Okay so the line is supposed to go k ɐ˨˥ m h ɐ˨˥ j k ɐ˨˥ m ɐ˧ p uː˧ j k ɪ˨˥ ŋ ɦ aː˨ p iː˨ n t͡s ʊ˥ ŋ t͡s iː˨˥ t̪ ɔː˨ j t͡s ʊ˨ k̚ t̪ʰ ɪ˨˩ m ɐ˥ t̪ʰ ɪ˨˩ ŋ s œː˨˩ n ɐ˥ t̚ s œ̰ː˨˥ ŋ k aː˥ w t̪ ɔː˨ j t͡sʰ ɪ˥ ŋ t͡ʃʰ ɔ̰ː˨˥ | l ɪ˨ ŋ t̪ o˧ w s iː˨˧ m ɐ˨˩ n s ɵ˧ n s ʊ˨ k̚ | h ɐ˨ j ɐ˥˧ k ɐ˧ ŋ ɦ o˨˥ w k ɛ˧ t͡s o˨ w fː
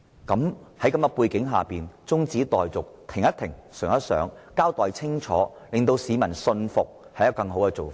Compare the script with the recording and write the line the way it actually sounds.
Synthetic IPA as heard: k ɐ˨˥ m h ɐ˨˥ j k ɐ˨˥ m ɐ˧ p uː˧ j k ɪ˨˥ ŋ ɦ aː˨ p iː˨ n t͡s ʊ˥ ŋ t͡s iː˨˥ t̪ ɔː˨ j t͡s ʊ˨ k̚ t̪ʰ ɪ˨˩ ŋ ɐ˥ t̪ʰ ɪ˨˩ ŋ s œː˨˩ ŋ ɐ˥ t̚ s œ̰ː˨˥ ŋ k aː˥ w t̪ ɔː˨ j t͡sʰ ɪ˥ ŋ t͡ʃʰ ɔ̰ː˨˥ | l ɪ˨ ŋ t̪ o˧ w s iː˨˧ m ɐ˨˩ n s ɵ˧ n f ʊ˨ k̚ | h ɐ˨ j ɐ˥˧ k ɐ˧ ŋ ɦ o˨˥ w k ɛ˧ t͡s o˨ w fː